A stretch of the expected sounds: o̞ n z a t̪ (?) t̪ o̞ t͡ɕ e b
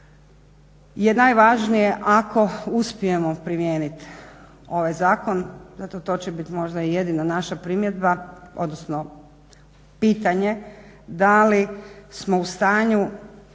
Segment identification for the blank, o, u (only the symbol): o